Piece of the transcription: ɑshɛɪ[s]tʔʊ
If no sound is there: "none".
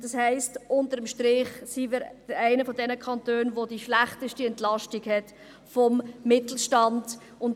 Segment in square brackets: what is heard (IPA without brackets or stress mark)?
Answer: s